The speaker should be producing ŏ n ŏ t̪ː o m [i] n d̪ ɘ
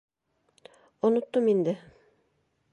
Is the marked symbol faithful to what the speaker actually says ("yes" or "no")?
yes